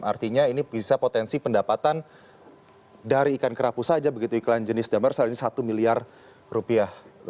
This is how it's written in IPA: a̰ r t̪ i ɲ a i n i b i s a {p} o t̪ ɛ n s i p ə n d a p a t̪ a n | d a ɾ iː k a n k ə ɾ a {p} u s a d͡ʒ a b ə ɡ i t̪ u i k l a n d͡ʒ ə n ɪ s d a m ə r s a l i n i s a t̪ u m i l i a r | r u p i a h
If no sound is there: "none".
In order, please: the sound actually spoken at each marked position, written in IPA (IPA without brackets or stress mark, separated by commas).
p, p